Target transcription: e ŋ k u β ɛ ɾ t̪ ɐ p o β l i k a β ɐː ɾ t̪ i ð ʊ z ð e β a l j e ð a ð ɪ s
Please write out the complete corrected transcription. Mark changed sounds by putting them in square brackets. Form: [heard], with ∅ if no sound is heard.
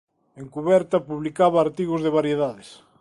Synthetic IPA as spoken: e ŋ k u β ɛ ɾ t̪ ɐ p [u] β l i k a β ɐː ɾ t̪ i [ɣ] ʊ z ð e β a [ɾ] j e ð a ð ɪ s